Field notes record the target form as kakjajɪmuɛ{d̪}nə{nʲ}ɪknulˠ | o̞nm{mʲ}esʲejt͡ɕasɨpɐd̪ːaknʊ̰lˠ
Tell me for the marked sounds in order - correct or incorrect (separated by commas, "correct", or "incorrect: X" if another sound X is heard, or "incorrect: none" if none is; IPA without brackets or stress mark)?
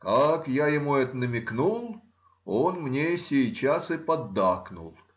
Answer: incorrect: t̪, incorrect: mʲ, incorrect: nʲ